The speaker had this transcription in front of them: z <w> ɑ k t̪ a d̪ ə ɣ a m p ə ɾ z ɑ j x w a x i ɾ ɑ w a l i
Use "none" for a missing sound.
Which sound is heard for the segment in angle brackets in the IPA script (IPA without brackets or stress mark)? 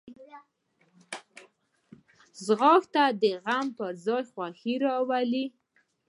ɣ